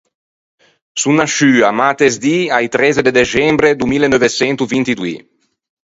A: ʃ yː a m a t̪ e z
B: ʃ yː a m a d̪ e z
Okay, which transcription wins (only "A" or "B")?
A